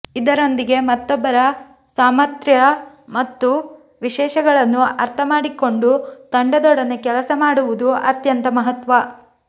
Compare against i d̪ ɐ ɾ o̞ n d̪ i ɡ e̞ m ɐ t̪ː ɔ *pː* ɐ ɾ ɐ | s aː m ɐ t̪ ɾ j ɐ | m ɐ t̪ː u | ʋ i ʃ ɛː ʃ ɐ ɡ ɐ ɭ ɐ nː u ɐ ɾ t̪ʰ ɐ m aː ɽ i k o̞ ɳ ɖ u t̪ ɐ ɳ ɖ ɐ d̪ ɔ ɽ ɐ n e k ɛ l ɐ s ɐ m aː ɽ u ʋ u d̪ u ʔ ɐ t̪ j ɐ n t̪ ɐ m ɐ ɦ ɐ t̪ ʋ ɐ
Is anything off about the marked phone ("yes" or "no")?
yes